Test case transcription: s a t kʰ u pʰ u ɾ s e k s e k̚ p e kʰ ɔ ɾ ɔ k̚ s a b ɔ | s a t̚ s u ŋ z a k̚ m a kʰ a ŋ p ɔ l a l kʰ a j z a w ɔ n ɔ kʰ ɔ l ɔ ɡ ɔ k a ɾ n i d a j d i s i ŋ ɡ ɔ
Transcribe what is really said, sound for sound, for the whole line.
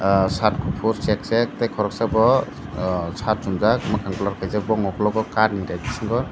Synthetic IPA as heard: s a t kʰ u pʰ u ɾ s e k s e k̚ t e kʰ ɔ ɾ ɔ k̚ s a b ɔ | s a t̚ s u m z a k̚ m a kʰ a ŋ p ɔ l a ɾ kʰ a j z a b ɔ ŋ ɔ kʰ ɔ l ɔ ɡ ɔ k a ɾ n i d a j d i s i ŋ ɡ ɔ